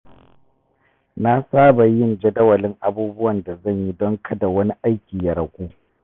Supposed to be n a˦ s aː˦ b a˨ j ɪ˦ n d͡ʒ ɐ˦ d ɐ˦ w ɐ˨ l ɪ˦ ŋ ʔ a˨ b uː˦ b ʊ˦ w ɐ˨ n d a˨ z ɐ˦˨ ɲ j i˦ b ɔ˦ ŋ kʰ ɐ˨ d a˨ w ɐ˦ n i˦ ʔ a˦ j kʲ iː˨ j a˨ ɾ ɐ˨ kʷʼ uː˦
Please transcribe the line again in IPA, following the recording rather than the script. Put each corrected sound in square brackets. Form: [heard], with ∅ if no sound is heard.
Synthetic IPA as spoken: n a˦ s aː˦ b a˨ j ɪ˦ n d͡ʒ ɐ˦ d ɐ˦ w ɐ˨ l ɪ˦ ŋ ʔ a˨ b uː˦ b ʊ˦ w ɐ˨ n d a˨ z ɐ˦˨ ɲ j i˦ [d] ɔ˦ ŋ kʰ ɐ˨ d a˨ w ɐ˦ n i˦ ʔ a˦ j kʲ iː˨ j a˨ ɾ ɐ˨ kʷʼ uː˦